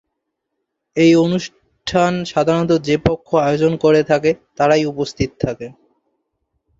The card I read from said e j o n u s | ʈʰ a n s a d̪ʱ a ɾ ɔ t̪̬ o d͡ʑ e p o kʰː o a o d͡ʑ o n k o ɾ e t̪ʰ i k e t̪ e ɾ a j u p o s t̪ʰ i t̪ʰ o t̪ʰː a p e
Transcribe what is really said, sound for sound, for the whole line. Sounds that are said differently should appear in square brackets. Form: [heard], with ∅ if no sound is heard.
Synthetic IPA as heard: e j o n u [ʃ] | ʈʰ a n [ʃ] a d̪ʱ a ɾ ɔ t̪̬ o d͡ʑ e p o kʰː o a o d͡ʑ o n k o ɾ e t̪ʰ [a] k e t̪ [a] ɾ a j u p o s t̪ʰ i [t̪] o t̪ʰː a [k] e

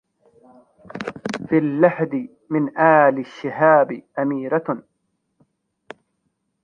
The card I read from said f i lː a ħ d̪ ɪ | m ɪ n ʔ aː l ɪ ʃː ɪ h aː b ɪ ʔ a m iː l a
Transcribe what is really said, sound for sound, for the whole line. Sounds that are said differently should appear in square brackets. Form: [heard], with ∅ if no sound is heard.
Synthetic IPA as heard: f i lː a ħ d̪ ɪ | m ɪ n ʔ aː l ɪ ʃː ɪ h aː b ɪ ʔ a m iː [ɾ] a

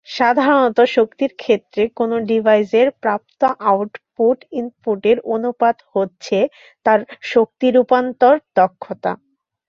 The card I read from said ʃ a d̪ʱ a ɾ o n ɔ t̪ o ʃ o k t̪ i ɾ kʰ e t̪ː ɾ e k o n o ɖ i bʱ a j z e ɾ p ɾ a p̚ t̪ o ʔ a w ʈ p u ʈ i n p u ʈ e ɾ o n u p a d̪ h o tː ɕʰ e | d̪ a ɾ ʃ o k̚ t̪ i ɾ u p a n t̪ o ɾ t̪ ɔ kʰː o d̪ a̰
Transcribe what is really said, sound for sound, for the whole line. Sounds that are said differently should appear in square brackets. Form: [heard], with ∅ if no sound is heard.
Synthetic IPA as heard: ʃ a d̪ʱ a ɾ o n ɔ t̪ o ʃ o k t̪ i ɾ kʰ e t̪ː ɾ e k o n o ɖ i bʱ a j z e ɾ p ɾ a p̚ t̪ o ʔ a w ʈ p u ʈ i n p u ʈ e ɾ o n u p a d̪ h o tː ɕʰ e | [t̪] a ɾ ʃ o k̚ t̪ i ɾ u p a n t̪ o ɾ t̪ ɔ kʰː o [t̪] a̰

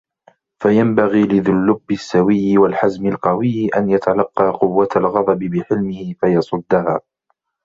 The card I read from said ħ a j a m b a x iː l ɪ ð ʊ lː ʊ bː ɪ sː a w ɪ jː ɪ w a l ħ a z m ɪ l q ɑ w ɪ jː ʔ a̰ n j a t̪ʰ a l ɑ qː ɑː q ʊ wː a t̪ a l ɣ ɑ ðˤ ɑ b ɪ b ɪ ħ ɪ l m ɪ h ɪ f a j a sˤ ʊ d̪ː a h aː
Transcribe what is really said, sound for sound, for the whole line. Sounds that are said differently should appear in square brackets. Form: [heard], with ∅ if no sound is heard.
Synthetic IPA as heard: [f] a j a m b a [ɣ] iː l ɪ ð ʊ lː ʊ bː ɪ sː a w ɪ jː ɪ w a l ħ a z m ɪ l q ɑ w ɪ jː ʔ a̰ n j a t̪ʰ a l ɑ qː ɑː q ʊ wː a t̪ a l ɣ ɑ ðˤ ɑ b ɪ b ɪ ħ ɪ l m ɪ h ɪ f a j [ɑ] sˤ ʊ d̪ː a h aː

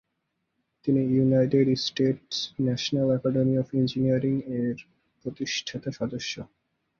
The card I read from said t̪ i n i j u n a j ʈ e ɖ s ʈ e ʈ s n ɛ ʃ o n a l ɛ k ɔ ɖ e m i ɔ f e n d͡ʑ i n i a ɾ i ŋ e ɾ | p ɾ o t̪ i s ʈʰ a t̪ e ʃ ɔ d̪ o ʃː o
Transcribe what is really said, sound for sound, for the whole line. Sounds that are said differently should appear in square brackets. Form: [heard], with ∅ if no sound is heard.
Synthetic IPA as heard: t̪ i n i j u n a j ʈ e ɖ s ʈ e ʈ s n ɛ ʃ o n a l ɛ k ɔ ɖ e m i ɔ f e n d͡ʑ i n i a ɾ i ŋ e ɾ | p ɾ o t̪ i [ʃ] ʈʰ a t̪ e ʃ ɔ d̪ o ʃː o

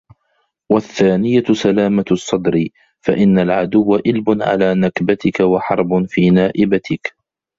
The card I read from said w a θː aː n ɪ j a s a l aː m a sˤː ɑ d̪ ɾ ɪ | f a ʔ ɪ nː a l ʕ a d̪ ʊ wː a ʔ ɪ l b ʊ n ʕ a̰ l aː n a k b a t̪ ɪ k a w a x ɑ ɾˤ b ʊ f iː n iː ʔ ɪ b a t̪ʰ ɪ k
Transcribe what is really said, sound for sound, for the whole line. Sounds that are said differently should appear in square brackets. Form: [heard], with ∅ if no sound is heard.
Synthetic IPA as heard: w a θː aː n ɪ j a s a l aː m a sˤː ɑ d̪ ɾ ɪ | f a ʔ ɪ nː a l ʕ a d̪ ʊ wː a ʔ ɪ l b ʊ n ʕ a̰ l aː n a k b a t̪ ɪ k a w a [ħ] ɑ ɾˤ b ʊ f iː n [aː] ʔ ɪ b a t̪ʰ ɪ k

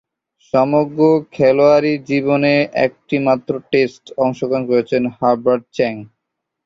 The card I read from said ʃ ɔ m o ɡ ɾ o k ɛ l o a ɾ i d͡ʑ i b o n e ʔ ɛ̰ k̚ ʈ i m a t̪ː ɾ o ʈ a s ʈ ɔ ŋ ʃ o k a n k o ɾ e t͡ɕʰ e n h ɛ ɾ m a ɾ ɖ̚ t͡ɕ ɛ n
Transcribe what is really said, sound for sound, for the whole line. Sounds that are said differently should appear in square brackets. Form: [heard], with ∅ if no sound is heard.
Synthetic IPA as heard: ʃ ɔ m o ɡ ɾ o [kʰ] ɛ l o a ɾ i d͡ʑ i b o n e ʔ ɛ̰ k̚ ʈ i m a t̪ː ɾ o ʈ [e] s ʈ ɔ ŋ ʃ o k a n k o ɾ e t͡ɕʰ e n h [a] ɾ [b] a ɾ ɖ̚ t͡ɕ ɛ [ŋ]

